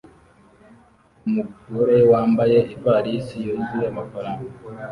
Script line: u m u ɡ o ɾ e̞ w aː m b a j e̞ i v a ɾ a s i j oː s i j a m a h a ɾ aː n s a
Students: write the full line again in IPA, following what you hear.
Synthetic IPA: u m u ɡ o ɾ e̞ w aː m b a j e̞ i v a ɾ i s i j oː z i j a m a f a ɾ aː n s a

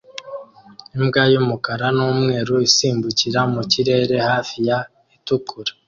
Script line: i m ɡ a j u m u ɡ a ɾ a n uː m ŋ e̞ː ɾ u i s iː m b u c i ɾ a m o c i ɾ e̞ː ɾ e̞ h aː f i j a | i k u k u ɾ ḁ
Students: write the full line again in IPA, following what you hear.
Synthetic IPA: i m ɡ a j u m u k a ɾ a n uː m ŋ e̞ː ɾ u i s iː m b u c i ɾ a m u c i ɾ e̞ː ɾ e̞ h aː f i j a | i t u k u ɾ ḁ

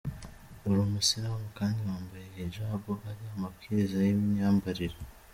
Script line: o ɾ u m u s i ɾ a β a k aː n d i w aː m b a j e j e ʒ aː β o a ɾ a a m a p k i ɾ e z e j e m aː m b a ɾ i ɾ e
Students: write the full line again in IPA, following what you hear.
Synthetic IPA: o ɾ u m u s i ɾ a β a k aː n d i w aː m b a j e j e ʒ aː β o a ɾ i a m a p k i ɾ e z a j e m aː m b a ɾ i ɾ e

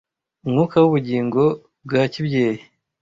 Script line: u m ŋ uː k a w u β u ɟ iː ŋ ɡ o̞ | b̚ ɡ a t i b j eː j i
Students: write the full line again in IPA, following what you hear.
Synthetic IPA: u m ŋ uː k a w u β u ɟ iː ŋ ɡ o̞ | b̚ ɡ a c i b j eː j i

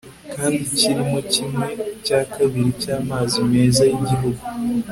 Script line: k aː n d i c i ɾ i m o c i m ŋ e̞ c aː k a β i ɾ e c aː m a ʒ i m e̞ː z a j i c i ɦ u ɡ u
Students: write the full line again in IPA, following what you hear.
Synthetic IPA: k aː n d i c i ɾ i m o c i m ŋ e̞ c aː k a β i ɾ i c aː m a z i m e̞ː z a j i ɟ i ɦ u ɡ u

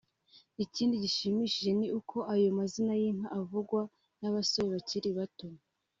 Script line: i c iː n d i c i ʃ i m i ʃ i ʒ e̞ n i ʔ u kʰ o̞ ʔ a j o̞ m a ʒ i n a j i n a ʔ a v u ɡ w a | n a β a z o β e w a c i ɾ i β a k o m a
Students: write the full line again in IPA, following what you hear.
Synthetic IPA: i c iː n d i ɟ i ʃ i m i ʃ i ʒ e̞ n i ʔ u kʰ o̞ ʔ a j o̞ m a z i n a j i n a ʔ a v u ɡ w a | n a β a s o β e β a c i ɾ i β a t o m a

